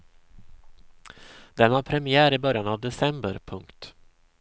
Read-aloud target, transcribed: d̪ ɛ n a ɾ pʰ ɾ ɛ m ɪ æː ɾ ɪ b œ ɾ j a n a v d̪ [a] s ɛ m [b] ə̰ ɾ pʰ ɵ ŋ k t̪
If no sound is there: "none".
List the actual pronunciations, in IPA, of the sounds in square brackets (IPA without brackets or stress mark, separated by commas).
ɛ, b